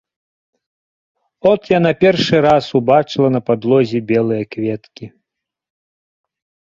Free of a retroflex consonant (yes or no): no